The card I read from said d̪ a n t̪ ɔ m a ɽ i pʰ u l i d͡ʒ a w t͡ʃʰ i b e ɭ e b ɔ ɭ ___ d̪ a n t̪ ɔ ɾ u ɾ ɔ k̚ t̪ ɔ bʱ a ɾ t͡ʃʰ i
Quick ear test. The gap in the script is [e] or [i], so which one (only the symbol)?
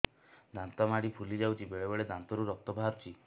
e